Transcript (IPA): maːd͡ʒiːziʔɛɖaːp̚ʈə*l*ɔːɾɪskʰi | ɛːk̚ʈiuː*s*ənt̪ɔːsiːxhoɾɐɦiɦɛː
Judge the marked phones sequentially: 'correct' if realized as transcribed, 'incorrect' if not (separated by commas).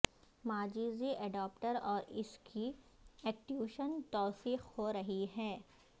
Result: incorrect, incorrect